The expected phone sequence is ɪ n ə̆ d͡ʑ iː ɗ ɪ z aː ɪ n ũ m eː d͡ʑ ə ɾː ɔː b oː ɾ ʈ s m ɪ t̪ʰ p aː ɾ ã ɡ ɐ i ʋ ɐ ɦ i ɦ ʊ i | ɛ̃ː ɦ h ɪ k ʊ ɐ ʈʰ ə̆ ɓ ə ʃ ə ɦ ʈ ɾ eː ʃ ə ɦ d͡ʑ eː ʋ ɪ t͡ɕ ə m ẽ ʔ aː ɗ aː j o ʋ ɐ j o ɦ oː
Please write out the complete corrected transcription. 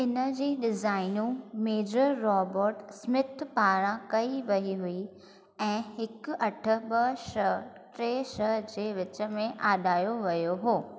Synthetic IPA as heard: ɪ n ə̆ d͡ʑ iː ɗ ɪ z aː ɪ n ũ m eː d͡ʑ ə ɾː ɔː b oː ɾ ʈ s m ɪ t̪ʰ p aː ɾ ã k ɐ i ʋ ɐ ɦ i ɦ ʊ i | ɛ̃ː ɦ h ɪ k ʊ ɐ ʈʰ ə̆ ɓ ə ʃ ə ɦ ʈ ɾ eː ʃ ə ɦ d͡ʑ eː ʋ ɪ t͡ɕ ə m ẽ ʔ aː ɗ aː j o ʋ ɐ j o ɦ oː